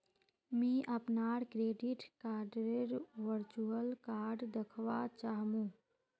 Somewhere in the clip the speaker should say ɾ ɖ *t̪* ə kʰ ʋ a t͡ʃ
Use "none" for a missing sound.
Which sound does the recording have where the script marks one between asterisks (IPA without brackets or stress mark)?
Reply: d̪